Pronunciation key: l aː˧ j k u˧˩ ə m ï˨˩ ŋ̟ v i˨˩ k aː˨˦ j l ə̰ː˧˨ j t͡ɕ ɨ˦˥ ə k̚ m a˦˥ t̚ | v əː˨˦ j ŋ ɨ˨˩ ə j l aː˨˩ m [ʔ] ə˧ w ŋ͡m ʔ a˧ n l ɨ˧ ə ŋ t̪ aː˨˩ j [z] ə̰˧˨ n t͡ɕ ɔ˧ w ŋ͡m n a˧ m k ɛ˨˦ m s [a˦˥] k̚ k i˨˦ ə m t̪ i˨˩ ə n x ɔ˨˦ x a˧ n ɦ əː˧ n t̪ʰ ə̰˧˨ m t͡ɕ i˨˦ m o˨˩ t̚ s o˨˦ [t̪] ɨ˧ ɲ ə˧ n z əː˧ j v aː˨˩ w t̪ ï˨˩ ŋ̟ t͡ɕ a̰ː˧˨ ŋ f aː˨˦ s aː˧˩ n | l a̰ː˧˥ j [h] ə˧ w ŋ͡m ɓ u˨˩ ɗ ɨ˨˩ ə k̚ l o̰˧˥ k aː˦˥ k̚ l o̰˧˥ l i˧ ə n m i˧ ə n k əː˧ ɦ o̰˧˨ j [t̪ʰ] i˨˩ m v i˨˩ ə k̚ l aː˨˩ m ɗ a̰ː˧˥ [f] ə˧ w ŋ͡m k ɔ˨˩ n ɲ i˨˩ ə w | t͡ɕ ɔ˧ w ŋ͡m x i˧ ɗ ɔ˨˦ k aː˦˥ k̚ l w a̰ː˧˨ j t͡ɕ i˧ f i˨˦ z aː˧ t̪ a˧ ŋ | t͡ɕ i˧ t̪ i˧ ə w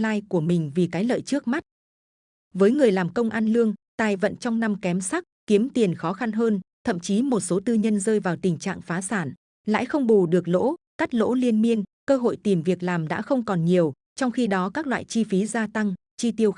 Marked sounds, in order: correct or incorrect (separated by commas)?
incorrect, incorrect, correct, correct, incorrect, incorrect, incorrect